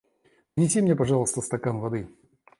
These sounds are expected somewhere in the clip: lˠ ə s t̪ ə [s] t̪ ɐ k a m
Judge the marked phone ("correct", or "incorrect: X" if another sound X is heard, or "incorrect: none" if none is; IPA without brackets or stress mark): correct